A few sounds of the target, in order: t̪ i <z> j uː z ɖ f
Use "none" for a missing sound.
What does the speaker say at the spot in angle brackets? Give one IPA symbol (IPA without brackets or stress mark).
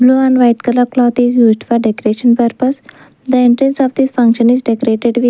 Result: z